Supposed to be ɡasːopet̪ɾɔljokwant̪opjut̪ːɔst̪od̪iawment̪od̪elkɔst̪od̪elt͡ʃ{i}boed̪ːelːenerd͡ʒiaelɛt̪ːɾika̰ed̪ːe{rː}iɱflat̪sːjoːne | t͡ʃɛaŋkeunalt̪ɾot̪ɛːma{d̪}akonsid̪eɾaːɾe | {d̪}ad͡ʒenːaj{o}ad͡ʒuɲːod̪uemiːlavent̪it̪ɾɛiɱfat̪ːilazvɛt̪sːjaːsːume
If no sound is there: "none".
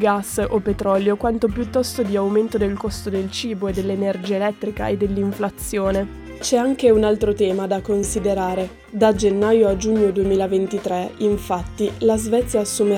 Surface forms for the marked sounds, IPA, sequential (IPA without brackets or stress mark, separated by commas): iː, lː, d̪, d̪, o